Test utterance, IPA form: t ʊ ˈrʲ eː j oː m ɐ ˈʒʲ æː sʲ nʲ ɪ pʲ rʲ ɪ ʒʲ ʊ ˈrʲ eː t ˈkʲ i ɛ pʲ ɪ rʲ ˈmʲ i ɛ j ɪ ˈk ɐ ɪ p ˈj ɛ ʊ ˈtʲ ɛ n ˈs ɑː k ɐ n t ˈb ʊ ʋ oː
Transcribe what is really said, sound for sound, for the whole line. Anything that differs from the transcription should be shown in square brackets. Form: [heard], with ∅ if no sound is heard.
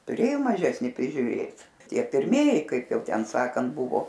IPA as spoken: t ʊ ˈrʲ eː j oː m ɐ ˈʒʲ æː sʲ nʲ ɪ pʲ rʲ ɪ ʒʲ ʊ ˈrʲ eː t [ˈtʲ] i ɛ pʲ ɪ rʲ ˈmʲ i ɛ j ɪ ˈk ɐ ɪ p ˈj ɛ ʊ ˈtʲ ɛ n ˈs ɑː k ɐ n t ˈb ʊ ʋ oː